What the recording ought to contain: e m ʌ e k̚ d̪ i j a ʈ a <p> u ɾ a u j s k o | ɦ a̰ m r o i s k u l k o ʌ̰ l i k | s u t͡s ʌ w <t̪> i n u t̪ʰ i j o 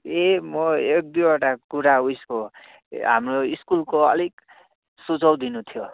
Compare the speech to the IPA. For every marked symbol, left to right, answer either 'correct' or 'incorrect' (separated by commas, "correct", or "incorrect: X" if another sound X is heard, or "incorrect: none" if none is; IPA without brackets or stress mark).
incorrect: k, incorrect: d̪